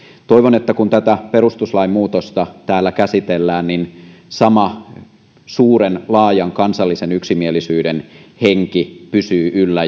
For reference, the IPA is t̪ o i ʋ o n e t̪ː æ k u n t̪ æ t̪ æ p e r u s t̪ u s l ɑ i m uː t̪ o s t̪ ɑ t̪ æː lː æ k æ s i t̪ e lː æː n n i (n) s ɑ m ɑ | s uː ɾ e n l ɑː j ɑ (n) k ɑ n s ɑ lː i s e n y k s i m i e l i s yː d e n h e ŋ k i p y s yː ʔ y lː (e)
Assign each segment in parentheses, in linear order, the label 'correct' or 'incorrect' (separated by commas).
correct, incorrect, incorrect